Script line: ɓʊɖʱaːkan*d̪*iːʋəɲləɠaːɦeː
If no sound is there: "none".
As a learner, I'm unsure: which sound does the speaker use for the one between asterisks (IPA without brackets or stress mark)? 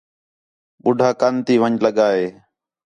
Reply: t̪